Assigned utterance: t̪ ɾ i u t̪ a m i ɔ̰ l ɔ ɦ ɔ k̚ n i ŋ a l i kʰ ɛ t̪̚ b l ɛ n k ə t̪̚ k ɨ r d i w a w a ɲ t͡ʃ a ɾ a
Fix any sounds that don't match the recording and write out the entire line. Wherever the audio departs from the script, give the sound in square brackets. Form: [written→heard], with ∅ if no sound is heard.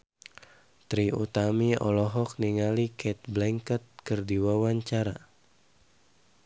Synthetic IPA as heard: t̪ ɾ i u t̪ a m i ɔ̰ l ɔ ɦ ɔ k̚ n i ŋ a l i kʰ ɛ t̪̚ b l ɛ [n→ŋ] k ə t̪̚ k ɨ r d i w a w a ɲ t͡ʃ a ɾ a